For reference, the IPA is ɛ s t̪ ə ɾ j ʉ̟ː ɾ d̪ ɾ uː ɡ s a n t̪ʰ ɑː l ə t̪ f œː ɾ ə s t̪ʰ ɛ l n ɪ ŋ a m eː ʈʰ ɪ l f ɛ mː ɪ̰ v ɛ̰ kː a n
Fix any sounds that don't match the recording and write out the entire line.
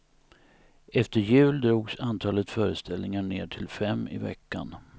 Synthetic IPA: ɛ f t̪ ə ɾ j ʉ̟ː l d̪ ɾ uː ɡ s a n t̪ʰ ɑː l ə t̪ f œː ɾ ə s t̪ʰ ɛ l n ɪ ŋ a ɳ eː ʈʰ ɪ l f ɛ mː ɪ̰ v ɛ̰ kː a n